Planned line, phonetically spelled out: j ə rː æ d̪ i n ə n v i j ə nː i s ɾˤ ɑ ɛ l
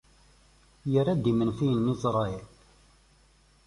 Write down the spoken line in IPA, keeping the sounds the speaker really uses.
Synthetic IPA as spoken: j ə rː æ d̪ i m ə n f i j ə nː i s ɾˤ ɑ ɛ l

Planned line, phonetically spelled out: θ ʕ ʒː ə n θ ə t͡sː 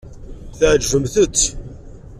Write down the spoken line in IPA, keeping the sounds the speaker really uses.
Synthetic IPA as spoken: θ ʕ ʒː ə m θ ə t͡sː

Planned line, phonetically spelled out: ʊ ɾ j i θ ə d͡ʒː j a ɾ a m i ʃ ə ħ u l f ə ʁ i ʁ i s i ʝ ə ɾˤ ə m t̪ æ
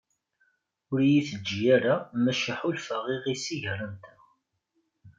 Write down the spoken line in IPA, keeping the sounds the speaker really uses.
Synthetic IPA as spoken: ʊ ɾ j i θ ə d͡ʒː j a ɾ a m æ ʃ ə ħ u l f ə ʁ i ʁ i s i ʝ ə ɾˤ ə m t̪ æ

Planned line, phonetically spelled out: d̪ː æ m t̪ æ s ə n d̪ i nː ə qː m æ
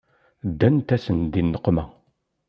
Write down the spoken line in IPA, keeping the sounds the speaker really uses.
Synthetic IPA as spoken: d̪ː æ n t̪ æ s ə n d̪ i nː ə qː m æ

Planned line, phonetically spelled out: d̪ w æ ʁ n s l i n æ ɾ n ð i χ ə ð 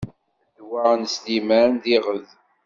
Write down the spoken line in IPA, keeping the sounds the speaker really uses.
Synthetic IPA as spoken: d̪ w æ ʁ n s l i m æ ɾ n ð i ʁ ə ð

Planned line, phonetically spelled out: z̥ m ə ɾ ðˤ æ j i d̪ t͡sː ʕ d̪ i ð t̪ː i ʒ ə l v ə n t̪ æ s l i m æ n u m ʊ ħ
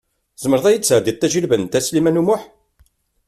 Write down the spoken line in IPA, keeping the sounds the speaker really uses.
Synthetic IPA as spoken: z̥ m ə ɾ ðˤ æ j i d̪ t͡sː ʕ d̪ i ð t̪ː æ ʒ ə l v ə n t̪ æ s l i m æ n u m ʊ ħ

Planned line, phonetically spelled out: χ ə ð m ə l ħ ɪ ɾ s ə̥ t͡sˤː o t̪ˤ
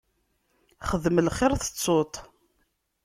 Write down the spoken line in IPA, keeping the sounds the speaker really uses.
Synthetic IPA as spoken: χ ə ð m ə l χ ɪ ɾ θ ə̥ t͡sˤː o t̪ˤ

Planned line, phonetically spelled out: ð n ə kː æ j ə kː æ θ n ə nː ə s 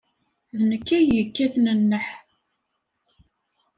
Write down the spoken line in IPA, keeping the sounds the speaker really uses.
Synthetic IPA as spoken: ð n ə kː æ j ə kː æ θ n ə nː ə ħ

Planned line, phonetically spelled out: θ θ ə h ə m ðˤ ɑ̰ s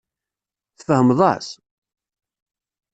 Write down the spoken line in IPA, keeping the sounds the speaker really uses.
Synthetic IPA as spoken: θ f ə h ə m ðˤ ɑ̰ s

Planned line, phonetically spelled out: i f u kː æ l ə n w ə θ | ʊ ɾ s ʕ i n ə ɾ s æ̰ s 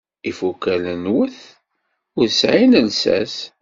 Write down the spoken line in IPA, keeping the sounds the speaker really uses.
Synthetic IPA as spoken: i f u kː æ l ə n w ə θ | ʊ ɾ s ʕ i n ə l s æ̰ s

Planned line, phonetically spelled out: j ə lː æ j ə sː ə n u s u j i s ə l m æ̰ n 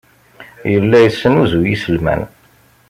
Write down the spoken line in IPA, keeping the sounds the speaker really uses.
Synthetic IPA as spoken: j ə lː æ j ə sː ə n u z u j i s ə l m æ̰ n

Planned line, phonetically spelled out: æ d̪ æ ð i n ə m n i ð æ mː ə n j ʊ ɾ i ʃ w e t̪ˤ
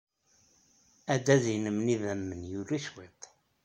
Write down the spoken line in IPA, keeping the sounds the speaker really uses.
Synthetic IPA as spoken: æ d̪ æ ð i n ə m n i ð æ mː ə n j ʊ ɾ i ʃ w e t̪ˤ

